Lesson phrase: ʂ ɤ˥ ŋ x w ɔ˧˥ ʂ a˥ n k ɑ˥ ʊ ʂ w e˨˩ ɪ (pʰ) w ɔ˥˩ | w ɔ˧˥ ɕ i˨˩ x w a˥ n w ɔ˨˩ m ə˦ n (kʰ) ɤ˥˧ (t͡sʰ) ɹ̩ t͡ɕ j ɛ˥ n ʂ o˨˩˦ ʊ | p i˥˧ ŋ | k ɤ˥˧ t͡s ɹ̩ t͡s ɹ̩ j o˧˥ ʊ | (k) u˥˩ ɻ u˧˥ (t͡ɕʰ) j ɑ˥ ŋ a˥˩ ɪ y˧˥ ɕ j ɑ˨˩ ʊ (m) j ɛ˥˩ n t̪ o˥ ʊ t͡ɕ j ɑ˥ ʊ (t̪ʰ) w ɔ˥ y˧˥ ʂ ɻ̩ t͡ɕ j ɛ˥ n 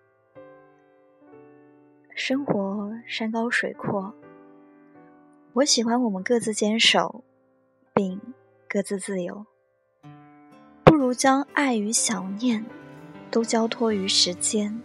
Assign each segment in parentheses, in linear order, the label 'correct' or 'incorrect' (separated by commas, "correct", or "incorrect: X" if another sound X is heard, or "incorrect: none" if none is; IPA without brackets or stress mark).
incorrect: kʰ, incorrect: k, incorrect: t͡s, incorrect: p, incorrect: t͡ɕ, incorrect: n, correct